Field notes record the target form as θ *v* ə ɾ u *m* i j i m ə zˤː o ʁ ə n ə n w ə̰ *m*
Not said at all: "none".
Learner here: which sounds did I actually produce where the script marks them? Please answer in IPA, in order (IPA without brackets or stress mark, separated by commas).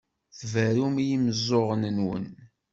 v, m, n